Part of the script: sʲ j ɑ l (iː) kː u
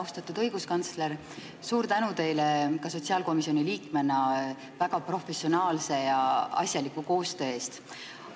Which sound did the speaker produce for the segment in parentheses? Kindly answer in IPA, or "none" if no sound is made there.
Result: i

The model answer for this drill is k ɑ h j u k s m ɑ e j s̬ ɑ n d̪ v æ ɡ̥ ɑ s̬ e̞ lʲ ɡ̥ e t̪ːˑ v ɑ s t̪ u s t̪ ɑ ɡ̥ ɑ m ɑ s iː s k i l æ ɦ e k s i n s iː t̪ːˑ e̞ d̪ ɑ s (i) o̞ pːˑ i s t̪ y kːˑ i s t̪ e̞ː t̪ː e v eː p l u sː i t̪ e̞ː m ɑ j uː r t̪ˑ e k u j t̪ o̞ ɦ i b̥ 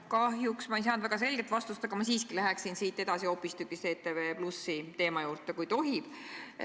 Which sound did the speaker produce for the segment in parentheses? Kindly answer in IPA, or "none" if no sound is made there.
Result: i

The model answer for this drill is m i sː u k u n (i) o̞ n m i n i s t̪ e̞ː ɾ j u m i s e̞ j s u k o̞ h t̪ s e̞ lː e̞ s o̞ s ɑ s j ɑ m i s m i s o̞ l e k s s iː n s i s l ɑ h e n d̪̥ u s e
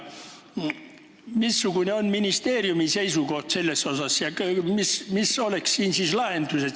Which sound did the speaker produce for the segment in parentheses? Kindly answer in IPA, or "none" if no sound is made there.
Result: e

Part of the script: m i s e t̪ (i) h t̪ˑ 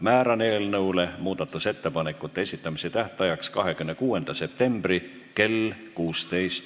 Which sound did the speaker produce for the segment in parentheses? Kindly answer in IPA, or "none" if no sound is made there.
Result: æ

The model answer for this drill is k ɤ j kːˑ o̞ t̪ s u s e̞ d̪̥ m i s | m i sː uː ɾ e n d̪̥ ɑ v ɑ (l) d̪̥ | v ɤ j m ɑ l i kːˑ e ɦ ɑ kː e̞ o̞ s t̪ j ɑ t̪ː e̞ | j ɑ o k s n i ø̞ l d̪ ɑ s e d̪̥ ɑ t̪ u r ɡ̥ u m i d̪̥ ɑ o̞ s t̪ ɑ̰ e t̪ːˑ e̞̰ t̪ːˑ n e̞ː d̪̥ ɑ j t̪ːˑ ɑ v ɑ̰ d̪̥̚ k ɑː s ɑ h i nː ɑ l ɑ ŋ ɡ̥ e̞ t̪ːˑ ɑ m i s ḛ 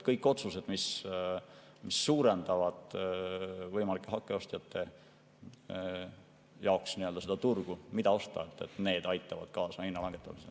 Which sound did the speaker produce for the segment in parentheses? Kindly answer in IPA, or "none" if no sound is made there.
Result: none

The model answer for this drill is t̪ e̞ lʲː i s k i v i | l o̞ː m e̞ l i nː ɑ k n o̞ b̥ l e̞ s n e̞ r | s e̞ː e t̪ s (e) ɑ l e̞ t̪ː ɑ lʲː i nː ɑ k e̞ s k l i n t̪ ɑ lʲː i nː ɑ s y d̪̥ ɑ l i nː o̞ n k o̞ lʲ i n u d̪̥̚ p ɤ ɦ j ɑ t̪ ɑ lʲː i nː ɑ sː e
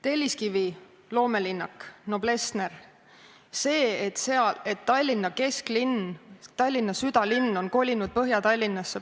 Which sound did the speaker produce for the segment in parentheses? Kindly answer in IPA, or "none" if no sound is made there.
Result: e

